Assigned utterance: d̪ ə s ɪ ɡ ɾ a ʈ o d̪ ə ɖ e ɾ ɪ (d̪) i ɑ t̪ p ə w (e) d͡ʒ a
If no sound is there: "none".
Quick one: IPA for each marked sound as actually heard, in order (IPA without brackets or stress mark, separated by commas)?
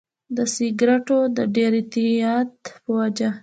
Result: t̪, a